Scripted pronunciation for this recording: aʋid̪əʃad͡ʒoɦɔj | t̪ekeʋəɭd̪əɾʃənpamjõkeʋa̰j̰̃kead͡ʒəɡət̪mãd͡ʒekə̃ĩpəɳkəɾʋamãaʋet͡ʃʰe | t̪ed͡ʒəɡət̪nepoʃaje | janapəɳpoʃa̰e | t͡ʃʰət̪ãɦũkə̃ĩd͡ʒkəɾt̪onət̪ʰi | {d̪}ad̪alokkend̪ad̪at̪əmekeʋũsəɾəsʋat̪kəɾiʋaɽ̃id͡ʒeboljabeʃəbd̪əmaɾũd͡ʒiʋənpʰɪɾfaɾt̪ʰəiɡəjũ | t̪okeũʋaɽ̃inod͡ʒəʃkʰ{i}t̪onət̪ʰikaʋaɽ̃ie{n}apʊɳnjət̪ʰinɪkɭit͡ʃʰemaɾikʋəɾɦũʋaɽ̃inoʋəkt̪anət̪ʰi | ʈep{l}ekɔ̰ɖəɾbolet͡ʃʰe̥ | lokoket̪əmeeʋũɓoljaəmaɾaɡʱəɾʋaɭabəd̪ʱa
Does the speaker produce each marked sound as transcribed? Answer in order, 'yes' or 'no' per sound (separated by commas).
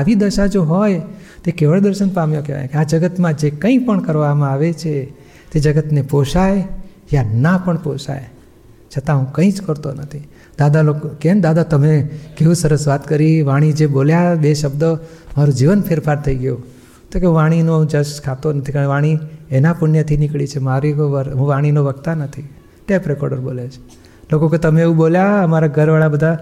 yes, no, yes, no